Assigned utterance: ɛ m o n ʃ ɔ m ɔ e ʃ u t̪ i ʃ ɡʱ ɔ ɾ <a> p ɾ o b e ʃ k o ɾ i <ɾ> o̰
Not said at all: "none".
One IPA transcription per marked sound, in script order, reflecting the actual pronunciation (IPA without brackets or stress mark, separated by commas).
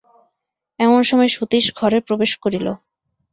e, l